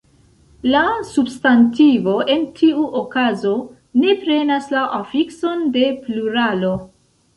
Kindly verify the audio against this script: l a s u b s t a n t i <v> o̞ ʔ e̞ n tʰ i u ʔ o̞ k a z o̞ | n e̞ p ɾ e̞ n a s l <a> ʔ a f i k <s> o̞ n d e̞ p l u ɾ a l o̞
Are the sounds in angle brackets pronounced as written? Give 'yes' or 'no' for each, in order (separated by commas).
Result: yes, yes, yes